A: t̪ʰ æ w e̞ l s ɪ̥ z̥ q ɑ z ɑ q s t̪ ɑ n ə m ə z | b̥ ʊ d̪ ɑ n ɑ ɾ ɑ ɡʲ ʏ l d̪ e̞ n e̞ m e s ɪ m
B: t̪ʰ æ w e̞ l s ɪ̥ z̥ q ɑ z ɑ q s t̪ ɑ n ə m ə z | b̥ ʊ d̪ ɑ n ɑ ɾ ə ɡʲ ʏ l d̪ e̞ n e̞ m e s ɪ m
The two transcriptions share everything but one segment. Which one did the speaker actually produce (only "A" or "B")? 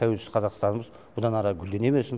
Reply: A